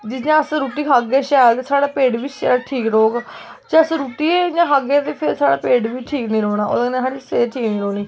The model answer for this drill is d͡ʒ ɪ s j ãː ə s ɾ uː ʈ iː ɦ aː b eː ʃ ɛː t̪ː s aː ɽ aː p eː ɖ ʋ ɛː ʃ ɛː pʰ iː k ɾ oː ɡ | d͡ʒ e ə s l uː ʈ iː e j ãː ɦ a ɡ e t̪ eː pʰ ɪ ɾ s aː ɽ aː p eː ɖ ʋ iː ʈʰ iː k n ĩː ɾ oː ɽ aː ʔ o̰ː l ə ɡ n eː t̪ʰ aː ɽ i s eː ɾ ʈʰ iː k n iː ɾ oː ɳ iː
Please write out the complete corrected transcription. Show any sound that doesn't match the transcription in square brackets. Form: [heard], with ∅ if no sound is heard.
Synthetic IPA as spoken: d͡ʒ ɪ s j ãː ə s ɾ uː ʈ iː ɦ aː [ɡ] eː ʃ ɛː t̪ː s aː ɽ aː p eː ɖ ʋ [iː] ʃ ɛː [ʈʰ] iː k ɾ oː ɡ | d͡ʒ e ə s [ɾ] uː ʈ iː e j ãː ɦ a ɡ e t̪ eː pʰ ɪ ɾ s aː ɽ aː p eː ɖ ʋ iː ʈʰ iː k n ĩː ɾ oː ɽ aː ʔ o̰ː l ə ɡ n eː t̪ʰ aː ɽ i s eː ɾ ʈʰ iː k n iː ɾ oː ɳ iː